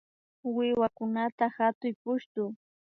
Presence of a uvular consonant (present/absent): absent